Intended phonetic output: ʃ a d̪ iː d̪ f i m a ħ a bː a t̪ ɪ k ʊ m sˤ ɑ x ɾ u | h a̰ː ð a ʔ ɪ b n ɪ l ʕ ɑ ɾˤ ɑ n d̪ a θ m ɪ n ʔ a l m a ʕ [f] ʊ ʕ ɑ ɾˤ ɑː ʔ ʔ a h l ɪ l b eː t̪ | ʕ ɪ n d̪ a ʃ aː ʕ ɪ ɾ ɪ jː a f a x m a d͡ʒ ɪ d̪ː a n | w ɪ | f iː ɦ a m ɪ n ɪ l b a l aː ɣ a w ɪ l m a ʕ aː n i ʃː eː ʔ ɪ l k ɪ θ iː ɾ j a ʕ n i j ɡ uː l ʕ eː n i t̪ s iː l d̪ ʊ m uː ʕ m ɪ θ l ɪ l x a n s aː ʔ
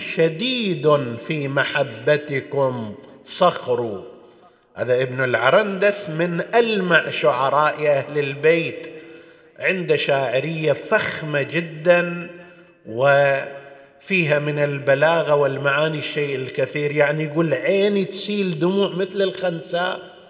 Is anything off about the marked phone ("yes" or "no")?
yes